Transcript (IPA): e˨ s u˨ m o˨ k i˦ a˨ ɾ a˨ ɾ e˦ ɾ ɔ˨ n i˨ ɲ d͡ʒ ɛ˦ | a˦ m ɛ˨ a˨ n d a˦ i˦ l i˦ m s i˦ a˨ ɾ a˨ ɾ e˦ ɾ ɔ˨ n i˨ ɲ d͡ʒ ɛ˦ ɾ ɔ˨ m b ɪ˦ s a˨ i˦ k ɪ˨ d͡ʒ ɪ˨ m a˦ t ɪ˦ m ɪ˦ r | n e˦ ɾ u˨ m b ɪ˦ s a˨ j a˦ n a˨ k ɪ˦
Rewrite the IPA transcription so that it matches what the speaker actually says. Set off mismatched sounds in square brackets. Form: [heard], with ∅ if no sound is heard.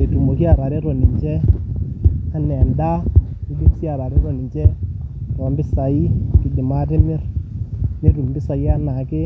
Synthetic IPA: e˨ [t] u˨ m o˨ k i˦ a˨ ɾ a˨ ɾ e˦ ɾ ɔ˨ n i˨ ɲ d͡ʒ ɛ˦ | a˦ [n] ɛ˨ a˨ n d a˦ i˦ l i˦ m s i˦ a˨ ɾ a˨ ɾ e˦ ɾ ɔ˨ n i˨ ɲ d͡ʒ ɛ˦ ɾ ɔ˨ m b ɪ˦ s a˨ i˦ k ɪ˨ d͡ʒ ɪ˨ m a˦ t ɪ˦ m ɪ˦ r | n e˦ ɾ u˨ m b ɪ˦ s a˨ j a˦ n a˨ k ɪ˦

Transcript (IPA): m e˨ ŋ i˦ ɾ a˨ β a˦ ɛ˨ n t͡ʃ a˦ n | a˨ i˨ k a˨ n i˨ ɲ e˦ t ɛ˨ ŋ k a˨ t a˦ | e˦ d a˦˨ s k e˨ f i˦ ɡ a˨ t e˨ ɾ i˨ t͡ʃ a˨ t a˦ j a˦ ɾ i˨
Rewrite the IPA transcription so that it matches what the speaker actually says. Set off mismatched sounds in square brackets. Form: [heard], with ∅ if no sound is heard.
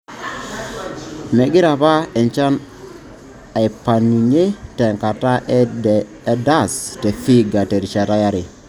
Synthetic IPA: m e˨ [ɡ] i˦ ɾ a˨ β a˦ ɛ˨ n t͡ʃ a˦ n | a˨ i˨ [p] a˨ n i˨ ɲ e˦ t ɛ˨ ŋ k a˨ t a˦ | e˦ d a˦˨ s [t] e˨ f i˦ ɡ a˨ t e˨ ɾ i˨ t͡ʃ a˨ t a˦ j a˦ ɾ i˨

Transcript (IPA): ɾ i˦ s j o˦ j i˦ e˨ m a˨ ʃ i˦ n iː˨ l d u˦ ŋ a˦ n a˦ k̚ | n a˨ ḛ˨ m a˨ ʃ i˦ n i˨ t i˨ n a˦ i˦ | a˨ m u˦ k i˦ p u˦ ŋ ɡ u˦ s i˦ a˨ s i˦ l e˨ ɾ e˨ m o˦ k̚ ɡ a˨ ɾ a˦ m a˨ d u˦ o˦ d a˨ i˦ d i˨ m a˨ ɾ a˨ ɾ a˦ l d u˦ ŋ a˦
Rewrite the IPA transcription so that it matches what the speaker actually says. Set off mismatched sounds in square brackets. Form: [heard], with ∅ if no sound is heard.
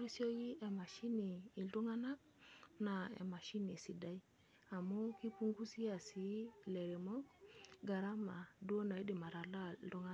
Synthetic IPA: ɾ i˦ s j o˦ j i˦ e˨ m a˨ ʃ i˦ n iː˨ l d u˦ ŋ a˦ n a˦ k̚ | n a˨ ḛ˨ m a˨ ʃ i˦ n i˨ [s] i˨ [d] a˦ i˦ | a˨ m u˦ k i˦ p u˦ ŋ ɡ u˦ s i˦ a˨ s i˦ l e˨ ɾ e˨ m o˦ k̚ ɡ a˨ ɾ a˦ m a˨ d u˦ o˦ [n] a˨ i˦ d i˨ m a˨ ɾ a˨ [l] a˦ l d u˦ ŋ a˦

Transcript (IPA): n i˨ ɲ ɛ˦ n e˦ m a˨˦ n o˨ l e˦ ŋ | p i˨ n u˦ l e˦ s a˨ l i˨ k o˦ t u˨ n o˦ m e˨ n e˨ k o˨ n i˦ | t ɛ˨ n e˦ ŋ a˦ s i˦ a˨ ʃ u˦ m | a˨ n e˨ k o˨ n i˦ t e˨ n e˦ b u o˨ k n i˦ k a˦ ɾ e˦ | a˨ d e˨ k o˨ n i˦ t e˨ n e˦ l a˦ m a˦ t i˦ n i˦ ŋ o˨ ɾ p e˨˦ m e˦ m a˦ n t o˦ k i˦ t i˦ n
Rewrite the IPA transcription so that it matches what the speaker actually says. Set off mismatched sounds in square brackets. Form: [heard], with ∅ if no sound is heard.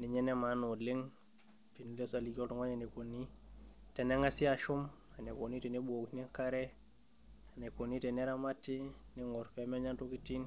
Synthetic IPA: n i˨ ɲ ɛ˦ n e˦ m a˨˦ n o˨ l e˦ ŋ | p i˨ n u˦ l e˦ s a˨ l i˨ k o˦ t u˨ [ŋ] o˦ [ɲ] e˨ n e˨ k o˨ n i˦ | t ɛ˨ n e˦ ŋ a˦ s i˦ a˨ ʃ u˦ m | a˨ n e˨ k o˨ n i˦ t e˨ n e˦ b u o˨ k n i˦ k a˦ ɾ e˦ | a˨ [n] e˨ k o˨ n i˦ t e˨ n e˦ [ɾ] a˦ m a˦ t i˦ n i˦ ŋ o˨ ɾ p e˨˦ m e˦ [ɲ] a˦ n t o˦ k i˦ t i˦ n

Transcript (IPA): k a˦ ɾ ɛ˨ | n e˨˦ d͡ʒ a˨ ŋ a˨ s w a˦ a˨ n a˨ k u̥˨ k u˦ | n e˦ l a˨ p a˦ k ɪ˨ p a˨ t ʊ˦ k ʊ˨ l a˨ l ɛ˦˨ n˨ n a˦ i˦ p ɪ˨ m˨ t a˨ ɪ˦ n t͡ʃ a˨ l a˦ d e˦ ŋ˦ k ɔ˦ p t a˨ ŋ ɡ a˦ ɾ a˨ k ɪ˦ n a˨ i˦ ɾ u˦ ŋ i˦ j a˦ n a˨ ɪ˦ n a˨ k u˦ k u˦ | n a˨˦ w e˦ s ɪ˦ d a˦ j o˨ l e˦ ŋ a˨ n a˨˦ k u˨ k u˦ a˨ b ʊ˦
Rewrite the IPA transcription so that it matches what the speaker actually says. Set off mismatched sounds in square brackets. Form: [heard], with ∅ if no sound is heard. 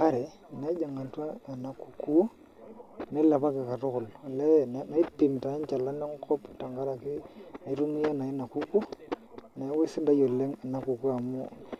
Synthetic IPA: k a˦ ɾ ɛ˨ | n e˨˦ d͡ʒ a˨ ŋ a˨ [t] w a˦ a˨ n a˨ k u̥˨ k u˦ | n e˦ l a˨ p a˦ k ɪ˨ [k] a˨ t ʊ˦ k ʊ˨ l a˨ l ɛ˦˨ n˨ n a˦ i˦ p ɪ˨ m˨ t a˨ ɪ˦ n t͡ʃ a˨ l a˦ [n] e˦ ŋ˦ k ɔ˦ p t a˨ ŋ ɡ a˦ ɾ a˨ k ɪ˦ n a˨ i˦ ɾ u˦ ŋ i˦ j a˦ n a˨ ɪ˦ n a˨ k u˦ k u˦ | n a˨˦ w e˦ s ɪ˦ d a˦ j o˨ l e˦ ŋ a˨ n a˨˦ k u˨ k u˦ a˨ [m] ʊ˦

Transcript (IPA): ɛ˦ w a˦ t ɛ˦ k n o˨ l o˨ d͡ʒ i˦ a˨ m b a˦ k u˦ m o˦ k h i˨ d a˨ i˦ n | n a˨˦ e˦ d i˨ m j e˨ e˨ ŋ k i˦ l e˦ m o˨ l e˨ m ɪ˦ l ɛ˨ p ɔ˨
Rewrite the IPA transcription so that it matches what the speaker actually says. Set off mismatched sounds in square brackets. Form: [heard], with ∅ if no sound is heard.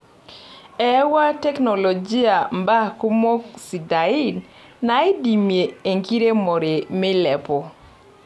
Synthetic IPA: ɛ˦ w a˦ t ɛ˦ k n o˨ l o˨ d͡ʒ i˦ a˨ m b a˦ k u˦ m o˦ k [s] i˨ d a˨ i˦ n | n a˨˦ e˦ d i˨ m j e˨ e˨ ŋ k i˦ [ɾ] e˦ m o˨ [ɾ] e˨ m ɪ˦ l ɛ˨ p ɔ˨

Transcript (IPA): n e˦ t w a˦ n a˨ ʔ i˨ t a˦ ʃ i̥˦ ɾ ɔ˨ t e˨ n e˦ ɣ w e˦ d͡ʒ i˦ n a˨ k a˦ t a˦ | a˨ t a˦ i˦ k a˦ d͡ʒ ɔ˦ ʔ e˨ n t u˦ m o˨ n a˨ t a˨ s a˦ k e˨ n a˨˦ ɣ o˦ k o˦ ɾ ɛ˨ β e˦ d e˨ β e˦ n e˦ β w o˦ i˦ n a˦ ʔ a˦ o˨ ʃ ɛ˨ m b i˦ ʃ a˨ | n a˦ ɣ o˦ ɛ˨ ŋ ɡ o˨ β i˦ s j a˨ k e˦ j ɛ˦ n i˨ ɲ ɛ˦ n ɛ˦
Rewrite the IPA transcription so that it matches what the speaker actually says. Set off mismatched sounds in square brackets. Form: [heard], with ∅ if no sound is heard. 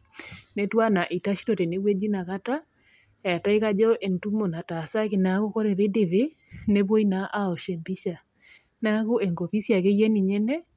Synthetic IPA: n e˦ t w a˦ n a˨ ʔ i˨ t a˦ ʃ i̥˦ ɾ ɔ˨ t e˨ n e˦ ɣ w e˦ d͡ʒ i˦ n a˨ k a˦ t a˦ | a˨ t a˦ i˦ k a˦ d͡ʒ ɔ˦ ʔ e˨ n t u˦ m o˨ n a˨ t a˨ s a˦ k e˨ n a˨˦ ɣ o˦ k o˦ ɾ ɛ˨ β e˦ d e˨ β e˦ n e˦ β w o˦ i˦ n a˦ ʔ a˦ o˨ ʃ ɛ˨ m b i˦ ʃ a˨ | n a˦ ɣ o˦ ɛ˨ ŋ ɡ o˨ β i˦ s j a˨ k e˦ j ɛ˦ n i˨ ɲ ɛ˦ n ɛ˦

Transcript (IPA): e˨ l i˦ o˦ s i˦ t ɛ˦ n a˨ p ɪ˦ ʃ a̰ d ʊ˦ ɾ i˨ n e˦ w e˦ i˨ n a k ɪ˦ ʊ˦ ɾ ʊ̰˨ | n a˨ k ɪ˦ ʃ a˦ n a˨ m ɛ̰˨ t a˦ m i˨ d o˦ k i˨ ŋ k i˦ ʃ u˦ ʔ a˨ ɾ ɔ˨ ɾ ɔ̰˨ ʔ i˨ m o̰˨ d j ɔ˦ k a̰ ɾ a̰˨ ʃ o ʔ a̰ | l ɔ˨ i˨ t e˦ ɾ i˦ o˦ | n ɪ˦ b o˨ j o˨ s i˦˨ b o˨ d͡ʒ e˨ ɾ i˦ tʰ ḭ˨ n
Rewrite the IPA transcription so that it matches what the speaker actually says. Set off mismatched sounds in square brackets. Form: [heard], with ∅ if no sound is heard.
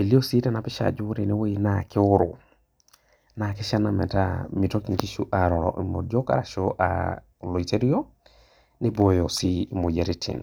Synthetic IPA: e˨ l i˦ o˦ s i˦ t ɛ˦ n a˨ p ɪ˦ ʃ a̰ [d͡ʒ] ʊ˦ ɾ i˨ n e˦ w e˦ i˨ n a k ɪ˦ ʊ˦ ɾ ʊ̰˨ | n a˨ k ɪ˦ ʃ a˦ n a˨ m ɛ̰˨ t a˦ m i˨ [t] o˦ k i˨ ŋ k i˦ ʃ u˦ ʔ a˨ ɾ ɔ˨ ɾ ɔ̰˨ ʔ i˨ m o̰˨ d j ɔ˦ k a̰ ɾ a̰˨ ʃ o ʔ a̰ | l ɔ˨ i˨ t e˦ ɾ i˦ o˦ | n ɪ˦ b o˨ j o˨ s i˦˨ [m] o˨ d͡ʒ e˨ ɾ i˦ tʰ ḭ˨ n

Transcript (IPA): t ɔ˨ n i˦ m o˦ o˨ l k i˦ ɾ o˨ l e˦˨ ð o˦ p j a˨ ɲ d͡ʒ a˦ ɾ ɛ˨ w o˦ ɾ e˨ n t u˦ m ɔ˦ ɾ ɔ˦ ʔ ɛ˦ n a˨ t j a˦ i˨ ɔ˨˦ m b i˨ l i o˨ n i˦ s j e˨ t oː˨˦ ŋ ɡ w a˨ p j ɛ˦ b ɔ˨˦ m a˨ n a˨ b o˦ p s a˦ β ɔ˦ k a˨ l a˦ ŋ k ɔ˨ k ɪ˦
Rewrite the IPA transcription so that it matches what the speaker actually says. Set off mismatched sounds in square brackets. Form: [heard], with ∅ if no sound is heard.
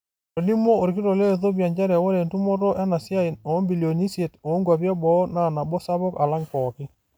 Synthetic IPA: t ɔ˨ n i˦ m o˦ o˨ [ɾ] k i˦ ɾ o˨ l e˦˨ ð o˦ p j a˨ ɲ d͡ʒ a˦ ɾ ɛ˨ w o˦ ɾ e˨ n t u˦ m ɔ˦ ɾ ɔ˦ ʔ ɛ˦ n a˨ [s] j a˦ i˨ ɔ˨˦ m b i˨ l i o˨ n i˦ s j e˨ t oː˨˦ ŋ ɡ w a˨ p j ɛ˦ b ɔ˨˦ [n] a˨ n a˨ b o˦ [∅] s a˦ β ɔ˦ k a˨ l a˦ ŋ k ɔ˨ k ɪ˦

